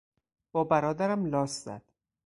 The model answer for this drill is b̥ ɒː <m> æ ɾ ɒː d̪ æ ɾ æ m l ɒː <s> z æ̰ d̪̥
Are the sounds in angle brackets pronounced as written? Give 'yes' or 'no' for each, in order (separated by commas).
no, yes